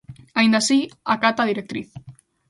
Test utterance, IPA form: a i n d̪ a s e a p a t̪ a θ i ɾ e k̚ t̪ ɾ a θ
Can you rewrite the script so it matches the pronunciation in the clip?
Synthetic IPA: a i n d̪ a s i a k a t̪ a ð i ɾ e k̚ t̪ ɾ i θ